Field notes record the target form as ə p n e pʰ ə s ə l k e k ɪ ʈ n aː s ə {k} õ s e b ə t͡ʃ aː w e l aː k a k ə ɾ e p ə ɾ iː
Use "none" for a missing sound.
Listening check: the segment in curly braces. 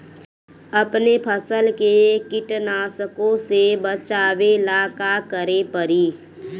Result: k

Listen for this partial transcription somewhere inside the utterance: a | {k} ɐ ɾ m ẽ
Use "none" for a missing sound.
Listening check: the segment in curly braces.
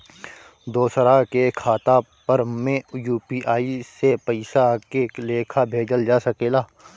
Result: p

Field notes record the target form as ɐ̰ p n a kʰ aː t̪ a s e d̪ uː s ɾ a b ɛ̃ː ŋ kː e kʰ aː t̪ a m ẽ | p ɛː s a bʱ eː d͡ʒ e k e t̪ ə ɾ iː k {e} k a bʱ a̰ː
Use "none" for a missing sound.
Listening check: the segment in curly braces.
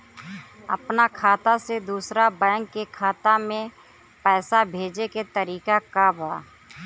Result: a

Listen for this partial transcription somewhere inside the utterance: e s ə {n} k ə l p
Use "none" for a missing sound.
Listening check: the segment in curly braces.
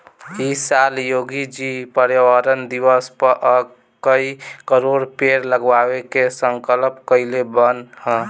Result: ŋ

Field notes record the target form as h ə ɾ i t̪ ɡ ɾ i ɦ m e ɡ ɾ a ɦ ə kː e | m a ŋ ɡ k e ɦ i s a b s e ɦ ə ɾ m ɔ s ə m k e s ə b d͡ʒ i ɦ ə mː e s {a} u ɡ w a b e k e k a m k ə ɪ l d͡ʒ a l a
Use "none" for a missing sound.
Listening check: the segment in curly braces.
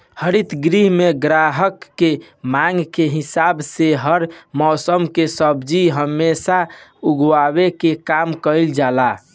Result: a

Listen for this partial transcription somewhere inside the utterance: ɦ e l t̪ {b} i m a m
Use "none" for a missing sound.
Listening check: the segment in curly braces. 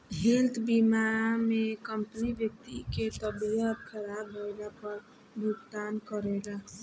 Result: b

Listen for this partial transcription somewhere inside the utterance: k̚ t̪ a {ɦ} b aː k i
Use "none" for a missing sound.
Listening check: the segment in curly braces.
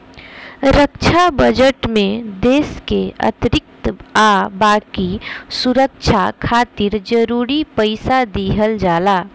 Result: none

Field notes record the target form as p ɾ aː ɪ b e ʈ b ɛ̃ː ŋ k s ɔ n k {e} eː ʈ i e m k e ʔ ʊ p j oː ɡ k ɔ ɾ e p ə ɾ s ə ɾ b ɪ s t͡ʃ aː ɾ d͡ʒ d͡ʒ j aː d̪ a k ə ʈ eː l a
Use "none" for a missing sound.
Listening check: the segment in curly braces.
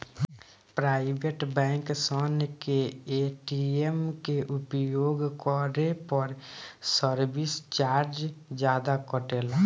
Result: e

